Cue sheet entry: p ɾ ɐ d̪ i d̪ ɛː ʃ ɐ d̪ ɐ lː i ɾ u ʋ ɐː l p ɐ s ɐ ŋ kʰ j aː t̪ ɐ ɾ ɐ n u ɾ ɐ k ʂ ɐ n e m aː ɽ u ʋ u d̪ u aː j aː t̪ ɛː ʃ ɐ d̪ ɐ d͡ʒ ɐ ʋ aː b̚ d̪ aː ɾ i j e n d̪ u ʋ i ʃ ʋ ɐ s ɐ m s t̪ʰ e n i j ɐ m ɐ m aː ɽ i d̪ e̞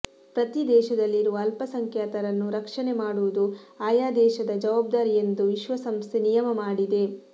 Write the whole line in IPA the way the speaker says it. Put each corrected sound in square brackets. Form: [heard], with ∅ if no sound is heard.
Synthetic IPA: p ɾ ɐ [t̪] i d̪ ɛː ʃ ɐ d̪ ɐ lː i ɾ u ʋ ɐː l p ɐ s ɐ ŋ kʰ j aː t̪ ɐ ɾ ɐ [nː] u ɾ ɐ k ʂ ɐ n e m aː ɽ u ʋ u d̪ u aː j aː [d̪] ɛː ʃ ɐ d̪ ɐ d͡ʒ ɐ ʋ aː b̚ d̪ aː ɾ i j e n d̪ u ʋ i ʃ ʋ ɐ s ɐ m s t̪ʰ e n i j ɐ m ɐ m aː ɽ i d̪ e̞